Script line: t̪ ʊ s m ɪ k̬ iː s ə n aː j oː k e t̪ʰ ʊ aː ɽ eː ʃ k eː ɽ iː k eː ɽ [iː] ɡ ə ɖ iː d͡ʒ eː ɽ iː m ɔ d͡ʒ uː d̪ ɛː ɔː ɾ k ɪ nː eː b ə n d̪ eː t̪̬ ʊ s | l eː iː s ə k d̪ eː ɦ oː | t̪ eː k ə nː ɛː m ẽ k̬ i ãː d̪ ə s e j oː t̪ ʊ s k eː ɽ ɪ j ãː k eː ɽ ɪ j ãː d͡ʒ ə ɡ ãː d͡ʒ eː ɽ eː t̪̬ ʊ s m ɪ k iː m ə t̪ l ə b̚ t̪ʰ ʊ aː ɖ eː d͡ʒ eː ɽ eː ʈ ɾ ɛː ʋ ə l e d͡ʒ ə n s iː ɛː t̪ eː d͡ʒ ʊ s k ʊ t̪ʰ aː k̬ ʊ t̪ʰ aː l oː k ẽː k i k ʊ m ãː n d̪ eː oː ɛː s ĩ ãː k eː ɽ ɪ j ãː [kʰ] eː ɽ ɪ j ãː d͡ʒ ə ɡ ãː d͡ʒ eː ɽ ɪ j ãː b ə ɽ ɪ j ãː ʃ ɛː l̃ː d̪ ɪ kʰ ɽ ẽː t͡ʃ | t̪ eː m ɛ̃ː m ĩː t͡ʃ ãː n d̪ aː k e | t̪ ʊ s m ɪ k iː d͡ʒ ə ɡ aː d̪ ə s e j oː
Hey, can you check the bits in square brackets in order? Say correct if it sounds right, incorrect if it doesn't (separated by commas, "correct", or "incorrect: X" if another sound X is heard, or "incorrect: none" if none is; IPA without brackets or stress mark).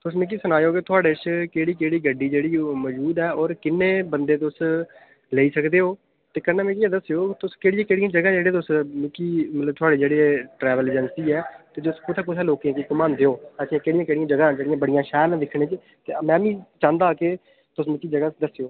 correct, incorrect: k